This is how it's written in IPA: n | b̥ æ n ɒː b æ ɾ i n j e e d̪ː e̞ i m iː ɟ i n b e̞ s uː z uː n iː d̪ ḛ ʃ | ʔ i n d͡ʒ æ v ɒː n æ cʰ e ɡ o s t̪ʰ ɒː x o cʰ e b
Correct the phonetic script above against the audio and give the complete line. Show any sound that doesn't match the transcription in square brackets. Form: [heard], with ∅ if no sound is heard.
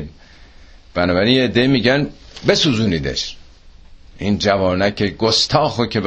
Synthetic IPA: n | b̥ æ n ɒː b æ ɾ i n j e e d̪ː e̞ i m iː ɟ [æ] n b e̞ s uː z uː n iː d̪ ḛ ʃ | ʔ i n d͡ʒ æ v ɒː n æ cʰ e ɡ o s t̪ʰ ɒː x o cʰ e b